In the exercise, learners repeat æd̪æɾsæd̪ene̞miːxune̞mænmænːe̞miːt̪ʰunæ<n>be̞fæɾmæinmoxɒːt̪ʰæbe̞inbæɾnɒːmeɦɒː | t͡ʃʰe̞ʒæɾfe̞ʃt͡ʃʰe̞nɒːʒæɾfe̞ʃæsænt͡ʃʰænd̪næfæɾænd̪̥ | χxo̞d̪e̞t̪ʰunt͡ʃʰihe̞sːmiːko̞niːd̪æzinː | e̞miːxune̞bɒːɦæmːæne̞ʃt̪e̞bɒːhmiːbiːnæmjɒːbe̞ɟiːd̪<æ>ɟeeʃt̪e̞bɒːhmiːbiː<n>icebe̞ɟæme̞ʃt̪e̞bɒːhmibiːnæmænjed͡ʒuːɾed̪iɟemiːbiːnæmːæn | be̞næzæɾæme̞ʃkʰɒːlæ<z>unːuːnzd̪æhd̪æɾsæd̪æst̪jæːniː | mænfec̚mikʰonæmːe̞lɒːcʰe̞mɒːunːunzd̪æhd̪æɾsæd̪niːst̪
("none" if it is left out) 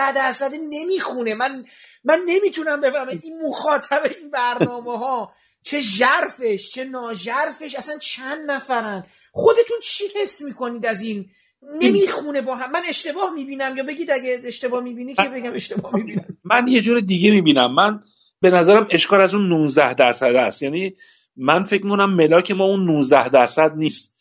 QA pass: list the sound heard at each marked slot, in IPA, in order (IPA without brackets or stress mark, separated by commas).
m, æ, n, z